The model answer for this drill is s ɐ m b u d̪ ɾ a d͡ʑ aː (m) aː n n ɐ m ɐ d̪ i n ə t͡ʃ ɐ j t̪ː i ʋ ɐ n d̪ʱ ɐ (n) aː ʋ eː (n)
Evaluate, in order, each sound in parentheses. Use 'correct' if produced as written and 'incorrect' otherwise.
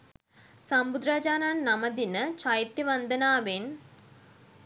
incorrect: n, correct, correct

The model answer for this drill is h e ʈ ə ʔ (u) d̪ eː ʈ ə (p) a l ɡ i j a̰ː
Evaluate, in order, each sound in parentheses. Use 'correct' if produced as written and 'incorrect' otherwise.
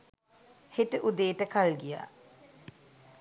correct, incorrect: k

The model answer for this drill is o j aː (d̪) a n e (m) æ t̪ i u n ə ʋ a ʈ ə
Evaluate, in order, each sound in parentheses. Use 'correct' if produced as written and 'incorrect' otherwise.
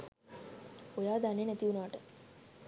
correct, incorrect: n

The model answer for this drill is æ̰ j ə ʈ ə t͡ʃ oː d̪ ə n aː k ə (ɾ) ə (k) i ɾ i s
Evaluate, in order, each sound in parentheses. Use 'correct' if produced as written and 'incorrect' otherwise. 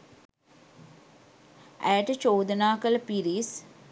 incorrect: l, incorrect: p

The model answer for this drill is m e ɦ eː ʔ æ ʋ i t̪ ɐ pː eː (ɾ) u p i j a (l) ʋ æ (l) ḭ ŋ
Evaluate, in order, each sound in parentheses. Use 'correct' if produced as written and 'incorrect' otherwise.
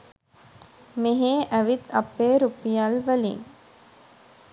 correct, correct, correct

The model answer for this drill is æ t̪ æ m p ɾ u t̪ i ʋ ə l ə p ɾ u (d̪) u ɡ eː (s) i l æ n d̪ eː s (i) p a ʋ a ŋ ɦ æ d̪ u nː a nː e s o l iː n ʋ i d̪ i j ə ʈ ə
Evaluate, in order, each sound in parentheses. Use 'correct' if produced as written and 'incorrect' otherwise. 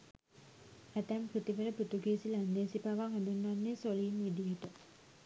incorrect: t̪, correct, correct

